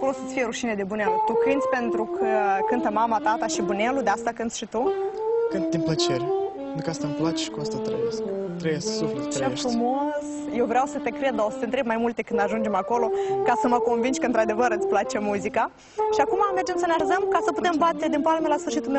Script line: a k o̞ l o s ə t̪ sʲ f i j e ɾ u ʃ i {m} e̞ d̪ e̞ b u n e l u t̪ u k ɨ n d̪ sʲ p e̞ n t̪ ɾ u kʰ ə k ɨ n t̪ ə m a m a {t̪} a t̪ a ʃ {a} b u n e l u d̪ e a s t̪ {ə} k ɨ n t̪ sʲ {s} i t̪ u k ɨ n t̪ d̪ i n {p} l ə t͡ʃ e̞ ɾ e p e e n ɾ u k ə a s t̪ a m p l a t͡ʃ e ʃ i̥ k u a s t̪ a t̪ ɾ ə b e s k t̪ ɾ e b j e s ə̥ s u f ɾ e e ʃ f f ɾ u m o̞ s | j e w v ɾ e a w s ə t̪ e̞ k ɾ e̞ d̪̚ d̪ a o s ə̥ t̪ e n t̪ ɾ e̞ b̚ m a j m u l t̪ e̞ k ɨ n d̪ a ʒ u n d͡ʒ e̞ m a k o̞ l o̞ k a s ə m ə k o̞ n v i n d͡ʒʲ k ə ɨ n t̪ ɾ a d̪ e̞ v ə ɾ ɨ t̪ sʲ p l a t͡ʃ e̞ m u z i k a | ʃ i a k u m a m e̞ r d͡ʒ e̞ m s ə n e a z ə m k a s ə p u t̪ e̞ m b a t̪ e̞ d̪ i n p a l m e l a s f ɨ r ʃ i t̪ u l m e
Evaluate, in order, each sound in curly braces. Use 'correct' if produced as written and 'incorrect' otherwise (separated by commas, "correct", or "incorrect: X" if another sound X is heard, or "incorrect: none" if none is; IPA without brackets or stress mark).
incorrect: n, correct, incorrect: i, incorrect: a, incorrect: ʃ, correct